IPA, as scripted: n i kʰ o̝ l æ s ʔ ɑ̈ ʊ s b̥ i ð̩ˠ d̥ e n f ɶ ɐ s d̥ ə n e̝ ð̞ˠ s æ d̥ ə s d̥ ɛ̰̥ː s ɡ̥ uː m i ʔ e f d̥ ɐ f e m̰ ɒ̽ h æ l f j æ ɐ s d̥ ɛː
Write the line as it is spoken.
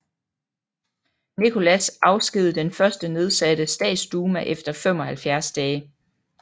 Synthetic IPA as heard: n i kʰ o̝ l æ s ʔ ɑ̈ ʊ s ɡ̥ i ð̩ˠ d̥ e n f ɶ ɐ s d̥ ə n e̝ ð̞ˠ s æ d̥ ə s d̥ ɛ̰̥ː s d̥ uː m æ ʔ e f d̥ ɐ f e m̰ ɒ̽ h æ l f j æ ɐ s d̥ ɛː